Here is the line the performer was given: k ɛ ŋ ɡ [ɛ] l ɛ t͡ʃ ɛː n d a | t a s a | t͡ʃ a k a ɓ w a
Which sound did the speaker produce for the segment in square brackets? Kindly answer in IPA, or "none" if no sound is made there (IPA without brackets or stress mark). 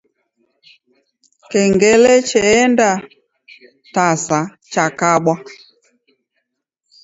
ɛ